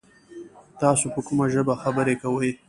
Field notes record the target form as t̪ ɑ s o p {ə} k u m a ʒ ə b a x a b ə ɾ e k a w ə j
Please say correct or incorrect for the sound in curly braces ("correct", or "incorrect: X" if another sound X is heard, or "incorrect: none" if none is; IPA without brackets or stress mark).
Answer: correct